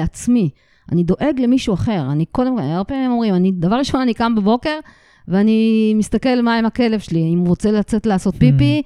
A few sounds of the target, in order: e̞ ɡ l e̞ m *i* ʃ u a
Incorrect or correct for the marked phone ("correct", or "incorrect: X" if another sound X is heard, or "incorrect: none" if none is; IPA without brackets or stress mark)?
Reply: correct